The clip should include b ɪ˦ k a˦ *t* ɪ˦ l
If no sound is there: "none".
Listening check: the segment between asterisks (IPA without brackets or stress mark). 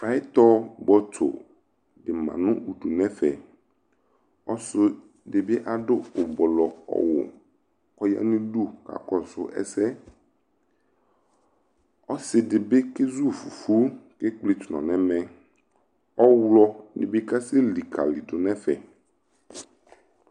s